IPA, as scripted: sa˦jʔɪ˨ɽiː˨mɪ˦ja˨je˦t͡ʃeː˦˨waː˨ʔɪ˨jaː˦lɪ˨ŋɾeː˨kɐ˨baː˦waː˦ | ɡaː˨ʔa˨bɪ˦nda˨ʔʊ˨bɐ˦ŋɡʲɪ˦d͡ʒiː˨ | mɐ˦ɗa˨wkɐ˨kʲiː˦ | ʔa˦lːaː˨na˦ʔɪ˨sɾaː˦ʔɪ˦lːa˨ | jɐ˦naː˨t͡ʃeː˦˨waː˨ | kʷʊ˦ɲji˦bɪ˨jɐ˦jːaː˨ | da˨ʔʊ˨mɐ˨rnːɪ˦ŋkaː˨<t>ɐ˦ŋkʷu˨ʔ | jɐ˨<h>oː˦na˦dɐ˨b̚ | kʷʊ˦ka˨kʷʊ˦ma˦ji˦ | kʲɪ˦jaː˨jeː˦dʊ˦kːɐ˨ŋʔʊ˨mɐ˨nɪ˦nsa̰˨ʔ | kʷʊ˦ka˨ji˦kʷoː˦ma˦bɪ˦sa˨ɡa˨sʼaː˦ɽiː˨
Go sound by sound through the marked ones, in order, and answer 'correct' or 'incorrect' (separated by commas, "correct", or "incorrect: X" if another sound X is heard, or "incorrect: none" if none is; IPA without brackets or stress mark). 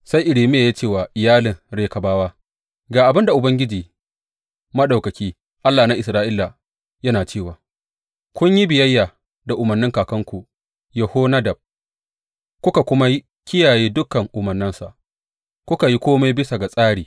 incorrect: k, correct